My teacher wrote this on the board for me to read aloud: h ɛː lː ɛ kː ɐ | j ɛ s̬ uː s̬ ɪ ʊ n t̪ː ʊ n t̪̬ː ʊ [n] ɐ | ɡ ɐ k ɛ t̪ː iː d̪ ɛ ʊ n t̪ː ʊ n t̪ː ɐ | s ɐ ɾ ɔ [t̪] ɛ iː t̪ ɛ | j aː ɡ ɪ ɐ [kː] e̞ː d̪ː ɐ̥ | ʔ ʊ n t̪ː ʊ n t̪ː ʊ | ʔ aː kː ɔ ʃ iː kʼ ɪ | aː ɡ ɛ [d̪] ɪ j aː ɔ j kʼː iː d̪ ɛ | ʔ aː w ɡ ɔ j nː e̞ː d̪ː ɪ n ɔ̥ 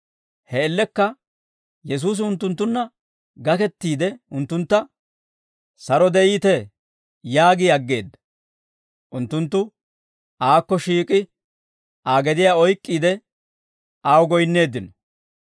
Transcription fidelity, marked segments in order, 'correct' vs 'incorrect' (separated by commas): incorrect, incorrect, incorrect, correct